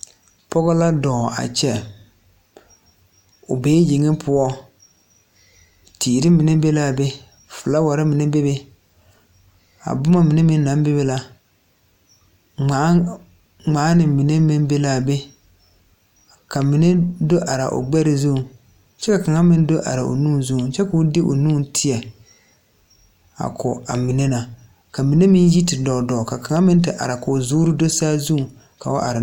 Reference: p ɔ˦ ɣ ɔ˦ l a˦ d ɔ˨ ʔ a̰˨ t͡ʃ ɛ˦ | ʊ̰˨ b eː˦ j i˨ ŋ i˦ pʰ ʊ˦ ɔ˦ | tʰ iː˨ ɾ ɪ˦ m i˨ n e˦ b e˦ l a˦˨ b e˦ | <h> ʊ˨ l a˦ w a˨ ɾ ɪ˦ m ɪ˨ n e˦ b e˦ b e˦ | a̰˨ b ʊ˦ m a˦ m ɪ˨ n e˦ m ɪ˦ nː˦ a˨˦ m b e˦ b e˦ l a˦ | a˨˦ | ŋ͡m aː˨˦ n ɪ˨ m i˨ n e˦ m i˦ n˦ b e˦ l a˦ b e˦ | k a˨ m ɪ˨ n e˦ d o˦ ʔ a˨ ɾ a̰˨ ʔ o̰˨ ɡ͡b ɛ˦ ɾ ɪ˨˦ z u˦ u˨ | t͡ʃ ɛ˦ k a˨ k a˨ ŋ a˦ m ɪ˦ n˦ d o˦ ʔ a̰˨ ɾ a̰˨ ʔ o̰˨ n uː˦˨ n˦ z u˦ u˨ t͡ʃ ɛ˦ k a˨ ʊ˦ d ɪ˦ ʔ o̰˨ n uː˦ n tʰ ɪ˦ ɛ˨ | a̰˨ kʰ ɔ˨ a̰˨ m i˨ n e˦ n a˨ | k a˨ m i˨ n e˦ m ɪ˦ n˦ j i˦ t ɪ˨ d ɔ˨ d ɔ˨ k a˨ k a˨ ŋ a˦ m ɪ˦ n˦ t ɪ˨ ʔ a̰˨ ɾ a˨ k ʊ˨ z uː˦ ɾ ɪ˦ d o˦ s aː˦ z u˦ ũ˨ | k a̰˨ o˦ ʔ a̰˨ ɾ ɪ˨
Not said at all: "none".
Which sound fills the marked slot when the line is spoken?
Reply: f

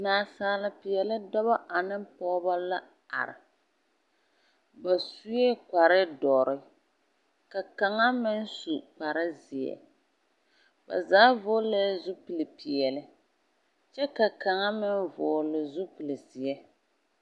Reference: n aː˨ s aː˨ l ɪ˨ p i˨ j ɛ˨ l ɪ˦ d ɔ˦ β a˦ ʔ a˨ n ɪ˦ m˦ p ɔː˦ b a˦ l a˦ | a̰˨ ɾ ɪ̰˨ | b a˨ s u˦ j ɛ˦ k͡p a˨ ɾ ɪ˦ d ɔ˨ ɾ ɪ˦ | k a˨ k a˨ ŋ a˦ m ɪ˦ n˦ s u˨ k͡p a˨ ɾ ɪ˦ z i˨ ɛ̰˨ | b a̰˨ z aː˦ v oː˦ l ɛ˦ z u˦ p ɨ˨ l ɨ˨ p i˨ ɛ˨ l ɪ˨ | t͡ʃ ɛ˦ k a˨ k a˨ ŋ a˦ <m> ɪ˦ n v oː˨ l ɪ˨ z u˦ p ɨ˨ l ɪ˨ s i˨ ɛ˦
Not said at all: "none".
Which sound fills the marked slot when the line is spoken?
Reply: m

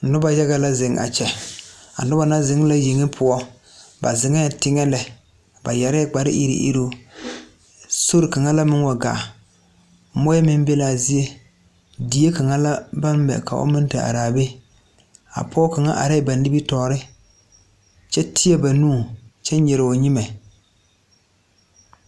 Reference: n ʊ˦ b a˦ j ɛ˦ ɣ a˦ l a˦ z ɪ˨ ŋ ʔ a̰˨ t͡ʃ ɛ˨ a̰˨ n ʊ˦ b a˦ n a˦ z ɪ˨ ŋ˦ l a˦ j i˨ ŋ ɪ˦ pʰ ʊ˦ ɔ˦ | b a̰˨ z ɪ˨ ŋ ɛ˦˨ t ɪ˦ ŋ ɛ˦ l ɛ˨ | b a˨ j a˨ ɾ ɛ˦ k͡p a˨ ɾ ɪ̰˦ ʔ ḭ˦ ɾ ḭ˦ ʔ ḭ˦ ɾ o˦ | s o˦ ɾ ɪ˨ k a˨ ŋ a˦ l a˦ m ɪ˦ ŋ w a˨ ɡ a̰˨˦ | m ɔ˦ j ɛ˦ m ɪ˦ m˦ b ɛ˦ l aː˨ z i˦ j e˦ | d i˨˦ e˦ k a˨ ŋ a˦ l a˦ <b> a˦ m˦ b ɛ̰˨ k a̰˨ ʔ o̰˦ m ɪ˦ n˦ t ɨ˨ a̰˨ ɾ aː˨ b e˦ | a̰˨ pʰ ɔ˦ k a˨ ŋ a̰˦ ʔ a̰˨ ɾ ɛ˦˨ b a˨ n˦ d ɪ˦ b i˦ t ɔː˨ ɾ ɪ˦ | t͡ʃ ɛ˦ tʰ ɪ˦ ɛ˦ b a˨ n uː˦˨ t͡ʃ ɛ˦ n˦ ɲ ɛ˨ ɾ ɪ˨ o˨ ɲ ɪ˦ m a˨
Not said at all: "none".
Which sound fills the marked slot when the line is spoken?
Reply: b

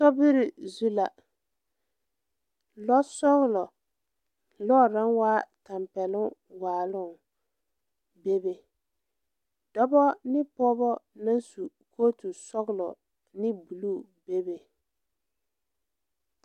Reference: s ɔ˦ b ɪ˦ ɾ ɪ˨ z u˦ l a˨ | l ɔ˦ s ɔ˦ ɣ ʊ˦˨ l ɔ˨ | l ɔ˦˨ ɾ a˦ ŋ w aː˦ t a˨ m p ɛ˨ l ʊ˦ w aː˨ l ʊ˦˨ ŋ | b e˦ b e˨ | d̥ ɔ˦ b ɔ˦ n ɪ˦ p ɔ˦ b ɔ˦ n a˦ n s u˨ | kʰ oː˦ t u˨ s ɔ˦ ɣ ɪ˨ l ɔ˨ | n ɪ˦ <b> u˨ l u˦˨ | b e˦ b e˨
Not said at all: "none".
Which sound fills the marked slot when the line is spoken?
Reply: b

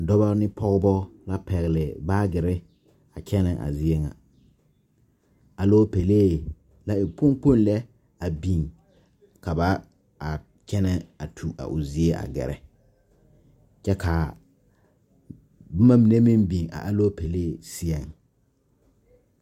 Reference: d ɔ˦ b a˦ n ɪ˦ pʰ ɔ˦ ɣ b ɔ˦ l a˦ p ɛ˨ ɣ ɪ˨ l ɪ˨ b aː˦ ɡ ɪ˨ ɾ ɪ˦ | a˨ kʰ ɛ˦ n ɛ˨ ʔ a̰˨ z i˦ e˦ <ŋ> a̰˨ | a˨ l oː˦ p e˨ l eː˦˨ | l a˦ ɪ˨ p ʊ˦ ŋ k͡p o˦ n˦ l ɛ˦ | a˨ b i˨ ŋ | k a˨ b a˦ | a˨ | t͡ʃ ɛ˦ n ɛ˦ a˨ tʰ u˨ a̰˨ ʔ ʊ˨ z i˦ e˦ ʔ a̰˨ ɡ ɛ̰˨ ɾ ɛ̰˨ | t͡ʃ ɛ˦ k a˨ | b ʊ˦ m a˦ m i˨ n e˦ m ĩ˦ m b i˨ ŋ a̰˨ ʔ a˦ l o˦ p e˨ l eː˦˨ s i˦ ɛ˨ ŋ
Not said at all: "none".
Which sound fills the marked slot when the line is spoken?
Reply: ŋ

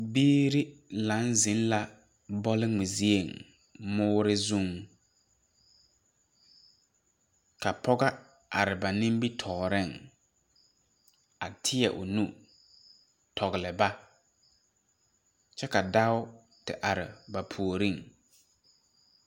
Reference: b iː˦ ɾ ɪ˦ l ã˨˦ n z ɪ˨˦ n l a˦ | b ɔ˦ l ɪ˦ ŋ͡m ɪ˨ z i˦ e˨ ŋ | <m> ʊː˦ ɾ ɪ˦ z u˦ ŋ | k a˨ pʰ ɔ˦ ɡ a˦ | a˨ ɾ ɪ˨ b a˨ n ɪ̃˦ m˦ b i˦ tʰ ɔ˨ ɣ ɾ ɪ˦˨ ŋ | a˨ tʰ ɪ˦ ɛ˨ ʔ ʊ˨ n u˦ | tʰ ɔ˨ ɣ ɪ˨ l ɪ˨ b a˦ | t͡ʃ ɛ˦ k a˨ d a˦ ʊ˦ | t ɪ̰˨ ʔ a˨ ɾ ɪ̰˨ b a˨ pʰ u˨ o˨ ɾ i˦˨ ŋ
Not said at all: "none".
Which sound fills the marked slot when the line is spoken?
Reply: m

